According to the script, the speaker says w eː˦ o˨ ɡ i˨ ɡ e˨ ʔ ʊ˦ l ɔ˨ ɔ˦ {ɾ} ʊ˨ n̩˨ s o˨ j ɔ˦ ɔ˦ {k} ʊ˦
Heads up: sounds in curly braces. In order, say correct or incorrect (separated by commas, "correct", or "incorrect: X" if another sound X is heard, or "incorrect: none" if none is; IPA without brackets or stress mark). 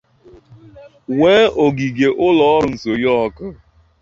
correct, correct